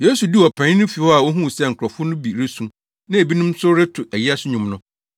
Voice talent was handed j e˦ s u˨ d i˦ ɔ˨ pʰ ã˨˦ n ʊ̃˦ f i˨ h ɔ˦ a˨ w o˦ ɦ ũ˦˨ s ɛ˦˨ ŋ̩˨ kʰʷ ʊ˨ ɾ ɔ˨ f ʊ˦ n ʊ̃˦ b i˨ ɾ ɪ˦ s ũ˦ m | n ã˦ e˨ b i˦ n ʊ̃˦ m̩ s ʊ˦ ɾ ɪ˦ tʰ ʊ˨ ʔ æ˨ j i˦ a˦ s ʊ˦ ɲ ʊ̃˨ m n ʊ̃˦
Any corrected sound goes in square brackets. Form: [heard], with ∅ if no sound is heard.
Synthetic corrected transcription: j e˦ s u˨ d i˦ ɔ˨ pʰ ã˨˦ n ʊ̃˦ f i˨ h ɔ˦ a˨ w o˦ ɦ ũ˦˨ s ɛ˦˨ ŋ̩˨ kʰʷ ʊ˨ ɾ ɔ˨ f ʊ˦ n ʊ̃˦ b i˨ ɾ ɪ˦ s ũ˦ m | n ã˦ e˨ b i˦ n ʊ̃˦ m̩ s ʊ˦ ɾ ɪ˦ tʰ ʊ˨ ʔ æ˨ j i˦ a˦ s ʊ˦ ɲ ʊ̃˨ m n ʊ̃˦